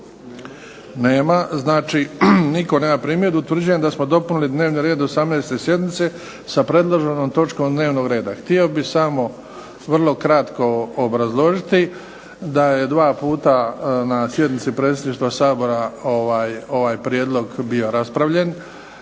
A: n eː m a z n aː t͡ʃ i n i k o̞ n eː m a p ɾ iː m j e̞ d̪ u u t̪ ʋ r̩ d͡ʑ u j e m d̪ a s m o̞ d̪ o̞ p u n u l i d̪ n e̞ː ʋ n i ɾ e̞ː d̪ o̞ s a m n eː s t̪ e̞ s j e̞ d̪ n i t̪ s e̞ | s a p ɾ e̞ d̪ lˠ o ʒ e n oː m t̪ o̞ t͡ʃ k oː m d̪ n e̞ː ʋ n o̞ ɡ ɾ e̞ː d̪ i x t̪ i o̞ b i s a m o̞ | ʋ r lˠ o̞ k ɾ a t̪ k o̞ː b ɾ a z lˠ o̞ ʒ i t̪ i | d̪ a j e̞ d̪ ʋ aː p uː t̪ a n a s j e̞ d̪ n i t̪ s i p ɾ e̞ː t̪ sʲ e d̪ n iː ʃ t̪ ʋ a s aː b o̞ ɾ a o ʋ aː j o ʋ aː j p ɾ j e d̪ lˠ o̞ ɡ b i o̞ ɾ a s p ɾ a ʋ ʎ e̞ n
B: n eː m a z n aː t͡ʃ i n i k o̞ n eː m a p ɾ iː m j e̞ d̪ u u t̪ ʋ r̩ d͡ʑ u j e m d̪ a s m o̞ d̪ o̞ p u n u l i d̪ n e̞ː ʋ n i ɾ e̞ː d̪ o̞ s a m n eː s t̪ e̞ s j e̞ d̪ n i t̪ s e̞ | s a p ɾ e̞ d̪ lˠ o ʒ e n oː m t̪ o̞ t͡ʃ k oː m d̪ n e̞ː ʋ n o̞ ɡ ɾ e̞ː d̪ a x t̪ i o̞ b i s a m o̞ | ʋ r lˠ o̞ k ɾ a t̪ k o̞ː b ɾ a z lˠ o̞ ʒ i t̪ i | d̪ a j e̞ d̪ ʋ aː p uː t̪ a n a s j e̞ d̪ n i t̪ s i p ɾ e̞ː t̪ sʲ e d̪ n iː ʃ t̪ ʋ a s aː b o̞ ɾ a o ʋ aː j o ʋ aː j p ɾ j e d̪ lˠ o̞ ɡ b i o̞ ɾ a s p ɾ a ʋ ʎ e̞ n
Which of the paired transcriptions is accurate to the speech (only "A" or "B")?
B